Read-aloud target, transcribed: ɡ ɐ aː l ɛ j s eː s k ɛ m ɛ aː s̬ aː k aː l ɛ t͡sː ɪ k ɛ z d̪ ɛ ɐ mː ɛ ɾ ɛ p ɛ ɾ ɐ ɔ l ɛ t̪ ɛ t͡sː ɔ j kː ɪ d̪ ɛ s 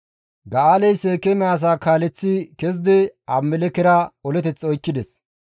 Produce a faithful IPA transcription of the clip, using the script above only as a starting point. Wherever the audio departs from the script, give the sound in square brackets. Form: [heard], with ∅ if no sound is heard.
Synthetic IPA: ɡ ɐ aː l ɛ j s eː [∅] k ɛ m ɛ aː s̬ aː k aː l ɛ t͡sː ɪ k ɛ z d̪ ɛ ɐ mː ɛ [l] ɛ [k] ɛ ɾ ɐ ɔ l ɛ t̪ ɛ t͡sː ɔ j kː ɪ d̪ ɛ s